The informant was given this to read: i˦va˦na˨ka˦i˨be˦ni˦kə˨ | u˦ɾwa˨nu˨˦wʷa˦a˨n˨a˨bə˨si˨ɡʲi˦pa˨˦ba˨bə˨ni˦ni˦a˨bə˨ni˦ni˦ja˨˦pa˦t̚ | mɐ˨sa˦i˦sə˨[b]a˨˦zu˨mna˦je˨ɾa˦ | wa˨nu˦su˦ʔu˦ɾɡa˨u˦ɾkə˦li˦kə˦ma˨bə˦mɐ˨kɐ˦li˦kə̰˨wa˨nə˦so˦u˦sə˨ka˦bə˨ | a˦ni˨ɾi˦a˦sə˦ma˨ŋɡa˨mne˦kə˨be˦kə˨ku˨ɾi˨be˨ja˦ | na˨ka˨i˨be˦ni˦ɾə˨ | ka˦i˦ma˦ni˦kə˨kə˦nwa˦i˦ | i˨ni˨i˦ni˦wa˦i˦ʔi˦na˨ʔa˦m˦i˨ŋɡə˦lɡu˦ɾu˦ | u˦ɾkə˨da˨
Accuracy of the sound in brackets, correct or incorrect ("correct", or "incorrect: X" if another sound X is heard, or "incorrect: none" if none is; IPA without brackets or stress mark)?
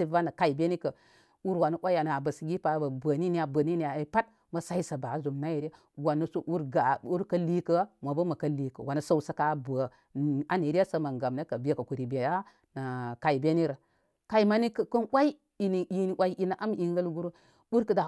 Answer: correct